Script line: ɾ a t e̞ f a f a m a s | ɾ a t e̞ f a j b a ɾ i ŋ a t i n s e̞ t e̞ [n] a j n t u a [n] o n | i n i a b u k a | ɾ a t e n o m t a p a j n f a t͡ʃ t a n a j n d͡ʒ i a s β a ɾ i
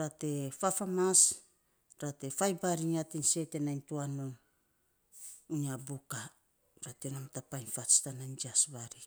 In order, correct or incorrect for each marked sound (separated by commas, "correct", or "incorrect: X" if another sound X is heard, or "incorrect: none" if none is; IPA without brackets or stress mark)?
correct, correct